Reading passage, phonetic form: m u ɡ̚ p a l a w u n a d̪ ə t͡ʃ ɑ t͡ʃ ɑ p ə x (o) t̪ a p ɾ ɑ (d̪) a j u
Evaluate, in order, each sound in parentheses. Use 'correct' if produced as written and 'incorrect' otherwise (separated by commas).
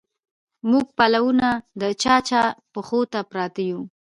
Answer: correct, incorrect